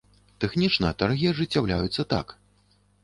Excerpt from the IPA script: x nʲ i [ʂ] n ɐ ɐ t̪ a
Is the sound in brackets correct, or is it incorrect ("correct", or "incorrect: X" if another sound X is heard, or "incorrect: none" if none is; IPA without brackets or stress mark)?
incorrect: t͡ʂ